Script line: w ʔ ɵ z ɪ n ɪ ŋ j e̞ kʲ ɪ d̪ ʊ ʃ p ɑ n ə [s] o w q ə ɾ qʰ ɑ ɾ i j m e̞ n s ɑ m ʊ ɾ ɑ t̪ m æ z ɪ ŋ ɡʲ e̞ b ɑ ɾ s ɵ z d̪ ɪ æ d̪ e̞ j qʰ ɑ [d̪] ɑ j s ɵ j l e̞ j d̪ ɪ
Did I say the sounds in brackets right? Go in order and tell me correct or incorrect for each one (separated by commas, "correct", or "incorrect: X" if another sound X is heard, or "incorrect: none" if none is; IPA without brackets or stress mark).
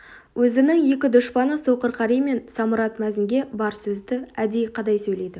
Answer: correct, correct